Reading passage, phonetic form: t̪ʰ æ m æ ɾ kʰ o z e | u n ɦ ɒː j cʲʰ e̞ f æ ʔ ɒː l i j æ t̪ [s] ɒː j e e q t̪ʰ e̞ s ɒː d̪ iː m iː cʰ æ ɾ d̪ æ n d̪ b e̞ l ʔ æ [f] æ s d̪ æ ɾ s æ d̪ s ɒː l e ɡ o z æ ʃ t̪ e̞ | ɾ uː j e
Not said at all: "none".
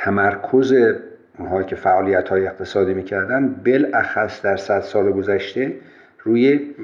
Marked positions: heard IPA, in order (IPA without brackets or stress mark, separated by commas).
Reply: h, x